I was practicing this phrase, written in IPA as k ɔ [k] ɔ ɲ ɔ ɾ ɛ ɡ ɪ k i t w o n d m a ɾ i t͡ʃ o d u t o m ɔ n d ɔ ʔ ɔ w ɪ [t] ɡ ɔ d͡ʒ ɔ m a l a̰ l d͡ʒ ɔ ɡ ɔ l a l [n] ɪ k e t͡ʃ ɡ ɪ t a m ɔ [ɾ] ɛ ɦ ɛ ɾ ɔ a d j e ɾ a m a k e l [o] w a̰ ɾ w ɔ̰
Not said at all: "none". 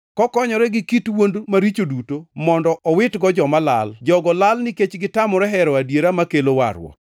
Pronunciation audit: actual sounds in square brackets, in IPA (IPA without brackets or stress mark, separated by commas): k, t, n, ɾ, o